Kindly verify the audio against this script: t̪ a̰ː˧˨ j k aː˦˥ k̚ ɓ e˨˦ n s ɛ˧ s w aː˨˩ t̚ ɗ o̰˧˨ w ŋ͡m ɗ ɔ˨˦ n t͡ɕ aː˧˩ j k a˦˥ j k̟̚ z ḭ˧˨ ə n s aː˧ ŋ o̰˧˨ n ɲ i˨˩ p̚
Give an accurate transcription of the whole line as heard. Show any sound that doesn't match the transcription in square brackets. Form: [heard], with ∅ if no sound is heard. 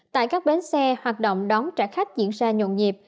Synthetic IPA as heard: t̪ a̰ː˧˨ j k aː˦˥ k̚ ɓ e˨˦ n s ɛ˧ [h] w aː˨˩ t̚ ɗ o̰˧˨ w ŋ͡m ɗ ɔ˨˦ n t͡ɕ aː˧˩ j [x] a˦˥ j k̟̚ z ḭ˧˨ ə n [z] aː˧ [ɲ] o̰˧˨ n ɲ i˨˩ p̚